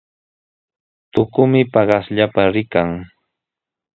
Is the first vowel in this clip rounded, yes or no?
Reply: yes